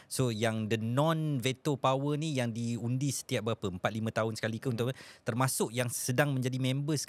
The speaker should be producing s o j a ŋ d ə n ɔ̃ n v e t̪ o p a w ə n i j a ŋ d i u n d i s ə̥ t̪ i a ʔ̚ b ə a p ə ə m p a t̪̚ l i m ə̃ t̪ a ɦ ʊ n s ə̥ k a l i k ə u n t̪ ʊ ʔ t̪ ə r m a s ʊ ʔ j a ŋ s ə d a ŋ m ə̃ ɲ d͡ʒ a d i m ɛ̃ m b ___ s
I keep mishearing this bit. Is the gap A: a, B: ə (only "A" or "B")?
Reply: B